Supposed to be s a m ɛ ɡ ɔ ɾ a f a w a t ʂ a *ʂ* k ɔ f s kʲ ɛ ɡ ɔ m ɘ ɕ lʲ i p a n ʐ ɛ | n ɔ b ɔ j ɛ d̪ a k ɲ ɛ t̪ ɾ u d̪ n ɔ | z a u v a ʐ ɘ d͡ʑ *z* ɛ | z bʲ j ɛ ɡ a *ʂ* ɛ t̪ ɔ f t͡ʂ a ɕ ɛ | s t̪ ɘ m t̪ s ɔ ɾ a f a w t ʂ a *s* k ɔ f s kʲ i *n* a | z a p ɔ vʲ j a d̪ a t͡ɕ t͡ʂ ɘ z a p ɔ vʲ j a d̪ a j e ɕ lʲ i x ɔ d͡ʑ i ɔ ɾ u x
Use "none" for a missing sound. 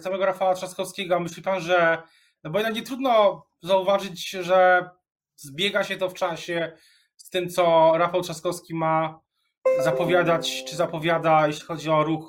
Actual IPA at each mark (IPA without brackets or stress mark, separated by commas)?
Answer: s, ʐ, ɕ, s, m